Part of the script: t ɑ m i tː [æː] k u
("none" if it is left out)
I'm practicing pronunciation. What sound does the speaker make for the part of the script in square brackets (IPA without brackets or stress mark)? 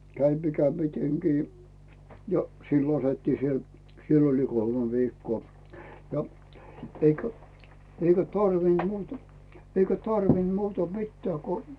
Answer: æː